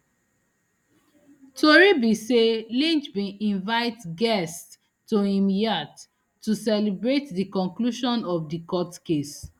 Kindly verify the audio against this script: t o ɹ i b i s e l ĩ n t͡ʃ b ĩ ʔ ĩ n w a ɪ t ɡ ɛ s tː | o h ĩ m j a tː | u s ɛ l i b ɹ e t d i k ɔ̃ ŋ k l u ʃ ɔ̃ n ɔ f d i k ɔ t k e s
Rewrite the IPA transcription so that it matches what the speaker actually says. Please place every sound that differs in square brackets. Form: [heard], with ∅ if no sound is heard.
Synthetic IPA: t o ɹ i b i s e l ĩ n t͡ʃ b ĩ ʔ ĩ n [v] a ɪ t ɡ ɛ s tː | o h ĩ m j a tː | u s ɛ l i b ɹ e t d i k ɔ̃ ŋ k l u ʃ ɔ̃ n ɔ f d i k ɔ t k e s